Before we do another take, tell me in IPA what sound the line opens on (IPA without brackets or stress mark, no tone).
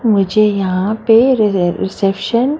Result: m